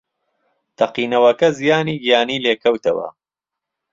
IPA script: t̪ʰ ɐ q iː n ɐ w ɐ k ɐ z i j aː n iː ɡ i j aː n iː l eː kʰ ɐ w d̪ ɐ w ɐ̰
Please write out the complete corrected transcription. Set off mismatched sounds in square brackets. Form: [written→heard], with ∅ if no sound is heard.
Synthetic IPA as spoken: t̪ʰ ɐ q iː n ɐ w ɐ k ɐ z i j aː n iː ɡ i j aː n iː l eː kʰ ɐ w [d̪→t̪] ɐ w ɐ̰